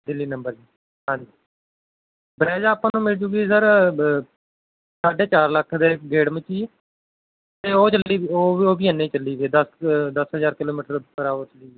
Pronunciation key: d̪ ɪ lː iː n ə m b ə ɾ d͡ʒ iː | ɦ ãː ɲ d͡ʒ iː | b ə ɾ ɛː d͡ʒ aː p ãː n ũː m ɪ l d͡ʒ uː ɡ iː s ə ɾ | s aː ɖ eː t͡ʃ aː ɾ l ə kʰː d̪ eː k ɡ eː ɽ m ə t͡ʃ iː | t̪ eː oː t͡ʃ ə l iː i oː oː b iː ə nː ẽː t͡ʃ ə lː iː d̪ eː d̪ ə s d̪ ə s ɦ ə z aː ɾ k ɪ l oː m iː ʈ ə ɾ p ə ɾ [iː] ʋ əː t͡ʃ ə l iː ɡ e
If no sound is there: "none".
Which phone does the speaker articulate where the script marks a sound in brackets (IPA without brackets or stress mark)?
aː